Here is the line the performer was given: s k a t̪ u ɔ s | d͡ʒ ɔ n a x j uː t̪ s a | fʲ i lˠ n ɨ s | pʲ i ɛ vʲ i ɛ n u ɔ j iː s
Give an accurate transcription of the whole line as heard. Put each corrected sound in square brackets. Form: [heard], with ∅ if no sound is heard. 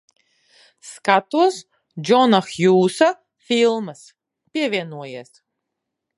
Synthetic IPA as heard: s k a t̪ u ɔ s | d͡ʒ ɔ n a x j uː [∅] s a | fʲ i lˠ [m] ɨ s | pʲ i ɛ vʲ i ɛ n u ɔ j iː s